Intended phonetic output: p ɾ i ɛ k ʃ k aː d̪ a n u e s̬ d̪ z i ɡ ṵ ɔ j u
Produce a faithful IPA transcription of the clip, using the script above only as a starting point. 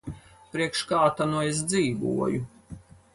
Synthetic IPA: p ɾ i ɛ k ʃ k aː t̪ a n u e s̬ d̪ z iː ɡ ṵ ɔ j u